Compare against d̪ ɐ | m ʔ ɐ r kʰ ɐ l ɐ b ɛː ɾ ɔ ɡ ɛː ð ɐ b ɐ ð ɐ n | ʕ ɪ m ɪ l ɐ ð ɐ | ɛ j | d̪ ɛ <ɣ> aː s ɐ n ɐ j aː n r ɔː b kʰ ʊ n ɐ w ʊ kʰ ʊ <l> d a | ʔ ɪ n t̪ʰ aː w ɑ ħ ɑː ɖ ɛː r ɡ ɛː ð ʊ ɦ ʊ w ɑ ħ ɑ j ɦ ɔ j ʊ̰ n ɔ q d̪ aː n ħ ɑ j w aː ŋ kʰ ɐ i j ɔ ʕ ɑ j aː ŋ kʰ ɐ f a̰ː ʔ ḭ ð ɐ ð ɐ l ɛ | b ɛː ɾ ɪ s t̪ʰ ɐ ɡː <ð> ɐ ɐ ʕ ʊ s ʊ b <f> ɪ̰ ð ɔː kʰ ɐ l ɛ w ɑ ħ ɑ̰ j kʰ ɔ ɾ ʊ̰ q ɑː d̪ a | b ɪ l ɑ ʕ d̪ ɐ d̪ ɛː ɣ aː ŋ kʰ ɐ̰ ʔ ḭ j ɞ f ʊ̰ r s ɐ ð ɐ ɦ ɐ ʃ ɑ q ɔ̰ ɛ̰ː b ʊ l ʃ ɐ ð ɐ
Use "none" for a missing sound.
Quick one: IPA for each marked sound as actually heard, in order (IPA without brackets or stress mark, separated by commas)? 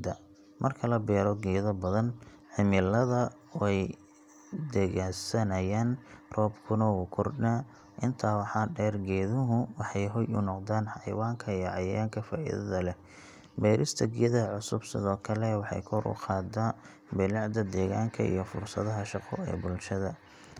ɣ, r, ð, s